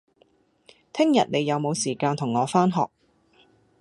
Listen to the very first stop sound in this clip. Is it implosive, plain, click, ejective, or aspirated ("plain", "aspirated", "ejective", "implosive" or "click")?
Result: aspirated